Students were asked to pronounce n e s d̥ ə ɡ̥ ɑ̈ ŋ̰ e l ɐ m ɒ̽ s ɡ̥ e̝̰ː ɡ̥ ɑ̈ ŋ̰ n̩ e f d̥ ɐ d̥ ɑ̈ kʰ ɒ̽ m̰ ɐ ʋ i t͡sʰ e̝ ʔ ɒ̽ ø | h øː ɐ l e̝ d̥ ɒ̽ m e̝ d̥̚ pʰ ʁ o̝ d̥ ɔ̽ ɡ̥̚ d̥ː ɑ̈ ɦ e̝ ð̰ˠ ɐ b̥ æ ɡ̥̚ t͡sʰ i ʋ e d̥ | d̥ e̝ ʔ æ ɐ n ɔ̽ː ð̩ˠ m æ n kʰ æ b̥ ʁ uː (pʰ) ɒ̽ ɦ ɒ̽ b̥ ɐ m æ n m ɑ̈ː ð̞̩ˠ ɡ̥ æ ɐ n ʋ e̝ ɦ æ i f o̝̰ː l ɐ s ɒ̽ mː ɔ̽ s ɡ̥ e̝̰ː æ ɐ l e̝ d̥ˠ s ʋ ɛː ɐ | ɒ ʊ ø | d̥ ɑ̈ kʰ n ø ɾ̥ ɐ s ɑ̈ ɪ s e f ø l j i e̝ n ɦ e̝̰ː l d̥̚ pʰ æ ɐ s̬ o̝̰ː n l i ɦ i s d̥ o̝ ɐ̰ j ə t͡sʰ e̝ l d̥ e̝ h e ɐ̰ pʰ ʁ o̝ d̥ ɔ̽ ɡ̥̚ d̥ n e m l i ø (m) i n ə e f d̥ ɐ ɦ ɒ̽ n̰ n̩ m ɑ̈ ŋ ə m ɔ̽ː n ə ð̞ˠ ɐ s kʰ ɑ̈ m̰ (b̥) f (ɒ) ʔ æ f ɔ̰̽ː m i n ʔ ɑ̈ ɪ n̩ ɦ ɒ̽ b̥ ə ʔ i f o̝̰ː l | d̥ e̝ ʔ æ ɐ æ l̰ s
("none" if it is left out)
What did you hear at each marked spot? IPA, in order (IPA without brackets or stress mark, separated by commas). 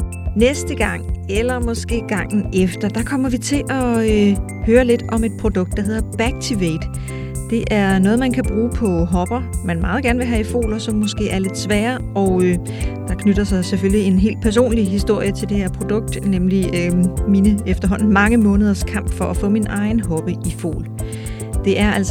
pʰ, m, b̥, ɒ